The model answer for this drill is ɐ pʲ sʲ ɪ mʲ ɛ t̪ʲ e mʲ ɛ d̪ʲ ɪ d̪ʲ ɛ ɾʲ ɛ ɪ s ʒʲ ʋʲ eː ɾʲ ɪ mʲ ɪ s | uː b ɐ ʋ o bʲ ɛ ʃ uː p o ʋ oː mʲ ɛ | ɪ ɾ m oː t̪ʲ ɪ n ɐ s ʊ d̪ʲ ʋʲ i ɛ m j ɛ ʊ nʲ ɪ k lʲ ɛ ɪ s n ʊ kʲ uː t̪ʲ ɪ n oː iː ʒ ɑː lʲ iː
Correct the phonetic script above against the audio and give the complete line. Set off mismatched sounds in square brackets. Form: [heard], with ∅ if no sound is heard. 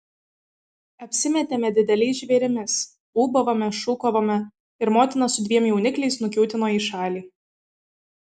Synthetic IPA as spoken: ɐ pʲ sʲ ɪ mʲ ɛ t̪ʲ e mʲ ɛ d̪ʲ ɪ d̪ʲ ɛ [lʲ] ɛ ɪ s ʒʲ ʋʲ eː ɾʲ ɪ mʲ ɪ s | uː b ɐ ʋ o [mʲ] ɛ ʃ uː [k] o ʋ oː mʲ ɛ | ɪ ɾ m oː t̪ʲ ɪ n ɐ s ʊ d̪ʲ ʋʲ i ɛ m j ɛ ʊ nʲ ɪ k lʲ ɛ ɪ s n ʊ kʲ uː t̪ʲ ɪ n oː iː [ʃ] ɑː lʲ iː